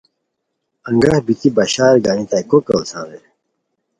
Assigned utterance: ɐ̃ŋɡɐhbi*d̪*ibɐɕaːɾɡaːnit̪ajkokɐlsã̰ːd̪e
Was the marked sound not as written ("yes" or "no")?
yes